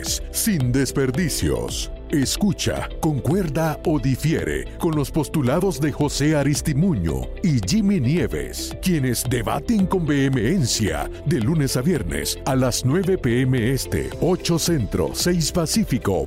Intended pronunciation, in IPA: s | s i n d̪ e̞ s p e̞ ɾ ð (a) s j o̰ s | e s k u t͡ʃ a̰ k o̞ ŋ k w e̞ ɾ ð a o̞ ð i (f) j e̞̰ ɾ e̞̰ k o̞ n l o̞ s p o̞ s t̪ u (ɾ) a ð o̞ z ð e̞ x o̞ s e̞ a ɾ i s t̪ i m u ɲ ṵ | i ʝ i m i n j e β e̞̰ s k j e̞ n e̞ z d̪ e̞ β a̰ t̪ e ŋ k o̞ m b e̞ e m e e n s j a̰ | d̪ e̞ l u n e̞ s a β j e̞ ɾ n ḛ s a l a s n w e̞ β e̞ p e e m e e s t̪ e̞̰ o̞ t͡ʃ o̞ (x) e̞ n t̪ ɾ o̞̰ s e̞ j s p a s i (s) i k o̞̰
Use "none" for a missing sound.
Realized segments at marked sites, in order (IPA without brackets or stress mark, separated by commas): i, f, l, s, f